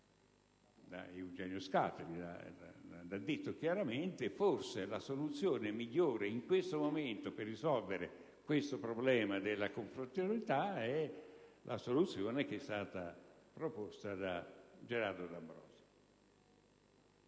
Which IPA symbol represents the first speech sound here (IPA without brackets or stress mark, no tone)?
d̪